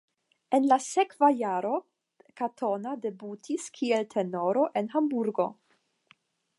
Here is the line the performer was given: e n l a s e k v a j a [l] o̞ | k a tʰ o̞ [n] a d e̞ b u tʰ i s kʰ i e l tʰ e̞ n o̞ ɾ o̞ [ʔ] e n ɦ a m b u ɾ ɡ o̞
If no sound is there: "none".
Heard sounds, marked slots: ɾ, n, ʔ

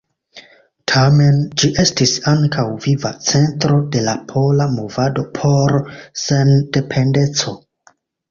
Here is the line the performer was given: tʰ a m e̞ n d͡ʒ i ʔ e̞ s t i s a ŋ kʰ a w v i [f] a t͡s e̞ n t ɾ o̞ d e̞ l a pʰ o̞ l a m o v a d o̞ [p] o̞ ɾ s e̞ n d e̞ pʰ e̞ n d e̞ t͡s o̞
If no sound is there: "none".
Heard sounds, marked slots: v, pʰ

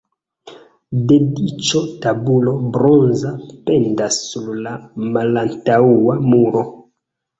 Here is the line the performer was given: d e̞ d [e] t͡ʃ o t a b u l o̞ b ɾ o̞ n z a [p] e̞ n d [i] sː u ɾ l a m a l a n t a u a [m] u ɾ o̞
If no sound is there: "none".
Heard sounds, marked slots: i, p, a, m

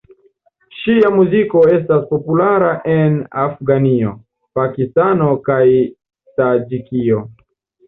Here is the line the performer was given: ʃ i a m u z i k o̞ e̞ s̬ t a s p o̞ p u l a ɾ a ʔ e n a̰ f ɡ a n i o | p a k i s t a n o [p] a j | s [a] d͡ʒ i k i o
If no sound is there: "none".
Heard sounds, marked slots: k, a

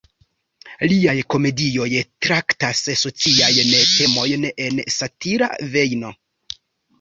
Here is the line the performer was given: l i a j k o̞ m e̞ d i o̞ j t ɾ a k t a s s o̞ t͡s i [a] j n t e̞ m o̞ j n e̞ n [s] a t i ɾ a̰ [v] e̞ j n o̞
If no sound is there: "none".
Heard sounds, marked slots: a, s, v

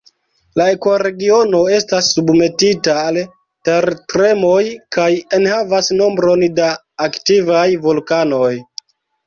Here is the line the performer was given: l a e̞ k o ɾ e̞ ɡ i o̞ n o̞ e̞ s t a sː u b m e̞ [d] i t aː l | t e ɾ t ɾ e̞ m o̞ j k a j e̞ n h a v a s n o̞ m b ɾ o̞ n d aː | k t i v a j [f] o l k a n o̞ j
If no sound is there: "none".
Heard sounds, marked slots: t, v

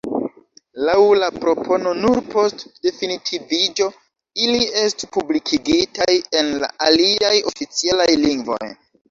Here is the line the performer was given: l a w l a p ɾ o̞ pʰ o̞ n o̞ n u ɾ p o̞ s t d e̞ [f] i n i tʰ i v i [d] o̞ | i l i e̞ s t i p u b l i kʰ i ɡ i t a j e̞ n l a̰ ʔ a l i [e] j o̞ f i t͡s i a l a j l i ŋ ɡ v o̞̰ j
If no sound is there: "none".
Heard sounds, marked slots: f, d͡ʒ, a

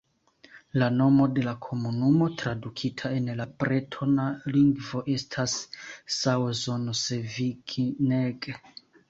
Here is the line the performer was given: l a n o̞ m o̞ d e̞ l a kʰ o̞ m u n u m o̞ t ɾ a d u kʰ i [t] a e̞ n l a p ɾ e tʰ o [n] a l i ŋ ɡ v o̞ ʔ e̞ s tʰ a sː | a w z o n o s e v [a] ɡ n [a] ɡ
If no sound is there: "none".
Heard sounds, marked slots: tʰ, n, i, e

